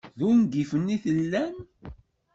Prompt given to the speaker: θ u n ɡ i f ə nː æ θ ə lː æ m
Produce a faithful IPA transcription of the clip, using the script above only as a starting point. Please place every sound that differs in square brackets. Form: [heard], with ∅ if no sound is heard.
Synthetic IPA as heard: [ð] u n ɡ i f ə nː [i] θ ə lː æ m